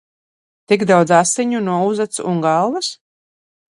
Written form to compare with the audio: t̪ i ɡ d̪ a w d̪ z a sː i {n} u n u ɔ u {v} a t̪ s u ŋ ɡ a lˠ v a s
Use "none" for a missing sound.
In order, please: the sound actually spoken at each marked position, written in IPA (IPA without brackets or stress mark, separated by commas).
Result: ɲ, z